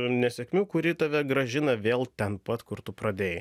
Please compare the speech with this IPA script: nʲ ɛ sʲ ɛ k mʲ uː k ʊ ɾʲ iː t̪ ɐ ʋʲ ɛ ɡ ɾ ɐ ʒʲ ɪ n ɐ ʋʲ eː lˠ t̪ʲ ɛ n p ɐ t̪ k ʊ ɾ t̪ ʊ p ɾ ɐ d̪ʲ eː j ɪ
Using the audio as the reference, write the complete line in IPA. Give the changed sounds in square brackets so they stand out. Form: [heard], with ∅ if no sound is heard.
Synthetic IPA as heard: nʲ ɛ sʲ ɛ k mʲ uː k ʊ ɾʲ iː t̪ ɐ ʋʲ ɛ ɡ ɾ ɐ ʒʲ ɪ n ɐ ʋʲ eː lˠ t̪ʲ ɛ n p ɐ t̪ k ʊ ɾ t̪ ʊ p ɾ ɐ d̪ʲ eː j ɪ